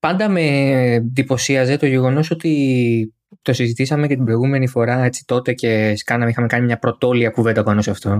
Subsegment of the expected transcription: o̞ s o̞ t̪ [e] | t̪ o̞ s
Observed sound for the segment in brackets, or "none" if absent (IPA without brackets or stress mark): i